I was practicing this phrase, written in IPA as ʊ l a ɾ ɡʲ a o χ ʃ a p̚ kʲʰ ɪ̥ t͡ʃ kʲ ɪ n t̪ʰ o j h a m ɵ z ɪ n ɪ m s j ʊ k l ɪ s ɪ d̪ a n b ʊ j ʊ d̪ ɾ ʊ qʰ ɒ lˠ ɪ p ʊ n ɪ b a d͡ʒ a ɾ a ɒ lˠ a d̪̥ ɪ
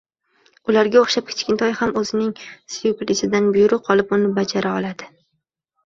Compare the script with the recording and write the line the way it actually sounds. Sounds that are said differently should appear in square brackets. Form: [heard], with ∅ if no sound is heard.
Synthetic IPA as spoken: ʊ l a ɾ ɡʲ a o χ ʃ a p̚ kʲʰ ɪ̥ t͡ʃ kʲ ɪ n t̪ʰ [ɒ] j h a m ɵ z ɪ n ɪ [ŋ] s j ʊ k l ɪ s ɪ d̪ a n b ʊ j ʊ [∅] ɾ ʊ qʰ ɒ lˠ ɪ p ʊ n ɪ b a d͡ʒ a ɾ a ɒ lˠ a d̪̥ ɪ